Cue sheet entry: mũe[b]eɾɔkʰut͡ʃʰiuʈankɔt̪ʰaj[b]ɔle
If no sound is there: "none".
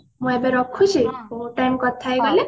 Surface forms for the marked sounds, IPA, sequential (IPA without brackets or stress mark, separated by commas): b, ɡ